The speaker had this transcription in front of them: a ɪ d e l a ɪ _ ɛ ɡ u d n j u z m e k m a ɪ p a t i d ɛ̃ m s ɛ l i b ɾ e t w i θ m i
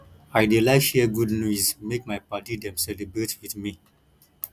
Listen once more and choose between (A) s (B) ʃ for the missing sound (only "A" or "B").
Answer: B